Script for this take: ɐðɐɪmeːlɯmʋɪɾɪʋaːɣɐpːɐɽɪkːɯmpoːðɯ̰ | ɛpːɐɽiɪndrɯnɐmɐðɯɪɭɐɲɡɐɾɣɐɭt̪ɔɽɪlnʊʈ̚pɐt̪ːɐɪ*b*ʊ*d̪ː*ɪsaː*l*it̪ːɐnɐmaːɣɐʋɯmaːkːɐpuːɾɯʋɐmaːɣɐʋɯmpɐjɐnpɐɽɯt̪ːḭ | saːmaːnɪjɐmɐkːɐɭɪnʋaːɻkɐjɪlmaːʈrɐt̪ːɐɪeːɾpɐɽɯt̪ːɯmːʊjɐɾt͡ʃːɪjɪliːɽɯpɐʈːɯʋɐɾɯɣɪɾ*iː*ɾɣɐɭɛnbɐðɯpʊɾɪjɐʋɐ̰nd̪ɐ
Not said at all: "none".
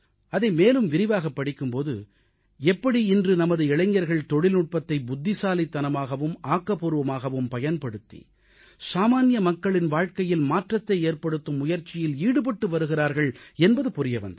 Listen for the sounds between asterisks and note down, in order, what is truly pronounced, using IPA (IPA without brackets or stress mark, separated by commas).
b, d̪ː, l, aː